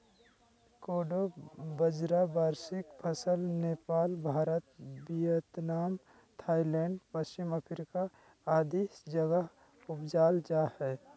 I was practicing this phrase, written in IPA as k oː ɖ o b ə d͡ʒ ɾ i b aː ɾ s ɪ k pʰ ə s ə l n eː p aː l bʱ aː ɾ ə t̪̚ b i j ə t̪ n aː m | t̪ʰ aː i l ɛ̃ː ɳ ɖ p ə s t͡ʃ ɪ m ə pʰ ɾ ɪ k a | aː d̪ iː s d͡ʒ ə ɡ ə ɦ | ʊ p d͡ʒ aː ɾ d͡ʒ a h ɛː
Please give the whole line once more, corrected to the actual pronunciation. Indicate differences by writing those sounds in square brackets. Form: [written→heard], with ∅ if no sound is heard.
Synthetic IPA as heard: k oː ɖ o b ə d͡ʒ ɾ [i→a] b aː ɾ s ɪ k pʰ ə s ə l n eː p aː l bʱ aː ɾ ə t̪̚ b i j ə t̪ n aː m | t̪ʰ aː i l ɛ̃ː ɳ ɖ p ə s t͡ʃ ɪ m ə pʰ ɾ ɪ k a | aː d̪ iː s d͡ʒ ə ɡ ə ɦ | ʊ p d͡ʒ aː [ɾ→l] d͡ʒ a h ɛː